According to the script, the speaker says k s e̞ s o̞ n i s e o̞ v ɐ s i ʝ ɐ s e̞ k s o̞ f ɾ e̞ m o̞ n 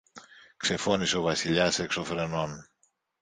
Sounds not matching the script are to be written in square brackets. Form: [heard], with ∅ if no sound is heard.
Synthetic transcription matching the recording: k s e̞ [f] o̞ n i s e o̞ v ɐ s i [ʎ] ɐ s e̞ k s o̞ f ɾ e̞ [n] o̞ n